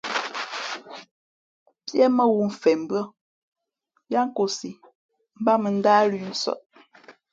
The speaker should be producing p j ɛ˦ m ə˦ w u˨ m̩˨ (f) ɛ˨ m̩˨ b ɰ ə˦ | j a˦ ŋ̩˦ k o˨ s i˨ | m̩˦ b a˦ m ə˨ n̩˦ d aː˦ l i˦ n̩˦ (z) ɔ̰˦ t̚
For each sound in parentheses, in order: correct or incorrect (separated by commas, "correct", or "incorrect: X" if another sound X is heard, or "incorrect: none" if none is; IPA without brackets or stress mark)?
correct, incorrect: s